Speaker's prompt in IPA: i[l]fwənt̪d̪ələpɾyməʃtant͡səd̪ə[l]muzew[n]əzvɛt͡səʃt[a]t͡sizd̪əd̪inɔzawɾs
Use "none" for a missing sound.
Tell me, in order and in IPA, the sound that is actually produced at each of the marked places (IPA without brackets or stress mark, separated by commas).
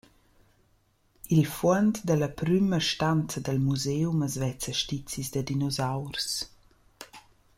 l, l, m, i